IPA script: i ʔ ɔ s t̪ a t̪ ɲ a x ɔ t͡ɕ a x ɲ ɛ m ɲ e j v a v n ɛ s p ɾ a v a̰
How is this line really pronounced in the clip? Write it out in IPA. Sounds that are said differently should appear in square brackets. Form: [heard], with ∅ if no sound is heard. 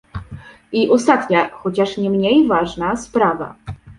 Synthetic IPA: i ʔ ɔ s t̪ a t̪ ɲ a x ɔ t͡ɕ a [ʂ] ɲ ɛ m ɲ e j v a [ʐ] n [a] s p ɾ a v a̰

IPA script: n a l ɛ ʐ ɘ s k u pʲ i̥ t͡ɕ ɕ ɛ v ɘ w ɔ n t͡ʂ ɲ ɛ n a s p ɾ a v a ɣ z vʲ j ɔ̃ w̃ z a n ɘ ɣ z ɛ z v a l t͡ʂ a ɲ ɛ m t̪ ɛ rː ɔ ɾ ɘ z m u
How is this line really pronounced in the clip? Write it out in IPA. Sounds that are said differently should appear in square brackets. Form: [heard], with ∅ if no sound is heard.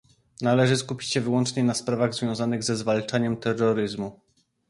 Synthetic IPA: n a l ɛ ʐ ɘ s k u pʲ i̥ t͡ɕ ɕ ɛ v ɘ w ɔ n t͡ʂ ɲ ɛ n a s p ɾ a v a ɣ z vʲ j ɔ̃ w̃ z a n ɘ ɣ z ɛ z v a l t͡ʂ a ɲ ɛ m t̪ ɛ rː ɔ ɾ ɘ z m u

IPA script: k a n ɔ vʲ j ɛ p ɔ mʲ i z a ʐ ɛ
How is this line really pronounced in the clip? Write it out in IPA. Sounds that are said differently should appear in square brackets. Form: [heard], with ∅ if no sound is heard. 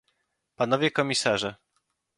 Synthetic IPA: [p] a n ɔ vʲ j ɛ [k] ɔ mʲ i [s] a ʐ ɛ

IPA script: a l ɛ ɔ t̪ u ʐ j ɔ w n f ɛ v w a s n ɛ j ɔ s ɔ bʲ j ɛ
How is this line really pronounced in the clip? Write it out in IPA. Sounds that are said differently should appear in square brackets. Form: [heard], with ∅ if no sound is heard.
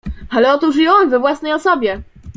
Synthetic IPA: a l ɛ ɔ t̪ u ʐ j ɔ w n [v] ɛ v w a s n ɛ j ɔ s ɔ bʲ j ɛ

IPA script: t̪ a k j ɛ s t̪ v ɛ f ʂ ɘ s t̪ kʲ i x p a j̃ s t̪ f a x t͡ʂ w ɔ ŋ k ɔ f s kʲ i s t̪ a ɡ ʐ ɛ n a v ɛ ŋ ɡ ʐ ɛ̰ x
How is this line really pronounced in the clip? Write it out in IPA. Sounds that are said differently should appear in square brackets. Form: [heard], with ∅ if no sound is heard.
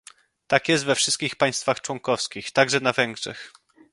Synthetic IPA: t̪ a k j ɛ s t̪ v ɛ f ʂ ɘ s t̪ kʲ i x p a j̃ s t̪ f a x t͡ʂ w ɔ ŋ k ɔ f s kʲ i [x] t̪ a ɡ ʐ ɛ n a v ɛ ŋ ɡ ʐ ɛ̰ x

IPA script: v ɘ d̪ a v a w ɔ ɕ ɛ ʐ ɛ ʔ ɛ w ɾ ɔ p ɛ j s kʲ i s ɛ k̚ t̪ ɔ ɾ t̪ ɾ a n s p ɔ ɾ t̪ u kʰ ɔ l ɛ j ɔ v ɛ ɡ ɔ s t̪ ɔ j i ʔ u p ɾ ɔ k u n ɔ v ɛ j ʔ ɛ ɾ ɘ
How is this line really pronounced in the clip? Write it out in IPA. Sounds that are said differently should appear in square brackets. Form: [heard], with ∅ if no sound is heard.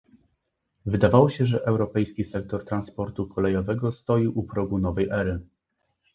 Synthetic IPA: v ɘ d̪ a v a w ɔ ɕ ɛ ʐ ɛ ʔ ɛ w ɾ ɔ p ɛ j s kʲ i s ɛ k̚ t̪ ɔ ɾ t̪ ɾ a n s p ɔ ɾ t̪ u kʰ ɔ l ɛ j ɔ v ɛ ɡ ɔ s t̪ ɔ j i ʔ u p ɾ ɔ [ɡ] u n ɔ v ɛ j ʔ ɛ ɾ ɘ

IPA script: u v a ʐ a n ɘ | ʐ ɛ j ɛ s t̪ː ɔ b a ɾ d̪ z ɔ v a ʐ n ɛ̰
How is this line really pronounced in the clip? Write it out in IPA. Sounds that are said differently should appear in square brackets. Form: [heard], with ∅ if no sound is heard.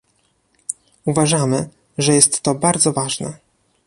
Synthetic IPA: u v a ʐ a [m] ɘ | ʐ ɛ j ɛ s t̪ː ɔ b a ɾ d̪ z ɔ v a ʐ n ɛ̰

